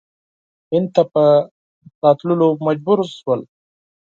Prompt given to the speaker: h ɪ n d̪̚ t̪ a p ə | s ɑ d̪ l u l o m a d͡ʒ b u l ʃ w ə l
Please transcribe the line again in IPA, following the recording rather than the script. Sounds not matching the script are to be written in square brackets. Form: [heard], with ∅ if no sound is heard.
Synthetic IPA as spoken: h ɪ n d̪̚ t̪ a p ə | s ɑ [t̪] l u l o m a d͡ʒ b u [ɾ] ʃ w ə l